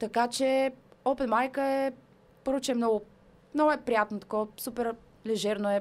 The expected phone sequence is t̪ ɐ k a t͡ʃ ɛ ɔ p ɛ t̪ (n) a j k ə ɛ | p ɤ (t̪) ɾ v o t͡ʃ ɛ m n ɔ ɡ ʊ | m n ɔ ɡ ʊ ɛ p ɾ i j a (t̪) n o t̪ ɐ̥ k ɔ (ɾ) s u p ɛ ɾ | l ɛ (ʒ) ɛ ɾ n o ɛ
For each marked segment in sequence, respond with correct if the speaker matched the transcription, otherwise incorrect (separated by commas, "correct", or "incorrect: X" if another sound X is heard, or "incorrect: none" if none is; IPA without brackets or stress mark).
incorrect: m, incorrect: none, correct, incorrect: none, correct